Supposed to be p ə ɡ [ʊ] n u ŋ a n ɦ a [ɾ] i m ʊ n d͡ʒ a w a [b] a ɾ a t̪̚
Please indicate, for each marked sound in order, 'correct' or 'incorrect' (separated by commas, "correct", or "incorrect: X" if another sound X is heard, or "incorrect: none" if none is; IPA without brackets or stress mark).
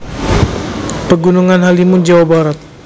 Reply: incorrect: u, incorrect: l, correct